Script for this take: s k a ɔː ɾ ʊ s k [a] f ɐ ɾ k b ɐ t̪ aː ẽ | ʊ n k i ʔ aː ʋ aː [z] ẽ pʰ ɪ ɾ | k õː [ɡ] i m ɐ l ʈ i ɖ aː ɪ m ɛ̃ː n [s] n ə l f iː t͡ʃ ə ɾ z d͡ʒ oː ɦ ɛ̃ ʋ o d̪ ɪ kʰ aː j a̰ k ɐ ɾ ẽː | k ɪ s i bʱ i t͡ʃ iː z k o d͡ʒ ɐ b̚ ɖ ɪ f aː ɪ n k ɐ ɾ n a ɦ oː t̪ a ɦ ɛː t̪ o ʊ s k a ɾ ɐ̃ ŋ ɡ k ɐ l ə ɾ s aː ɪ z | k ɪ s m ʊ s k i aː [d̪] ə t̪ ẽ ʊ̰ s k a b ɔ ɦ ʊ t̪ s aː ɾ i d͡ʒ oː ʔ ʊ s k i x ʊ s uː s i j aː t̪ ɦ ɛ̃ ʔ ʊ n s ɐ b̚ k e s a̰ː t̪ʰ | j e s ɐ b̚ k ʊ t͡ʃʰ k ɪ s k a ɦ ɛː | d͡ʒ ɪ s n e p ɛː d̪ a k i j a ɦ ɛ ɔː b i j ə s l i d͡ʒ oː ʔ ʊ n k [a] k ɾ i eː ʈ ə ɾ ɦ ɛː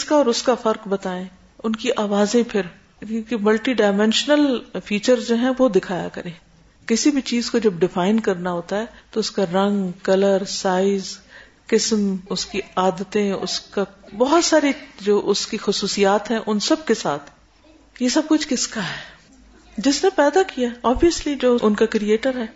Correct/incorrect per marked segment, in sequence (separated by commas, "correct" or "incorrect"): correct, correct, incorrect, incorrect, correct, correct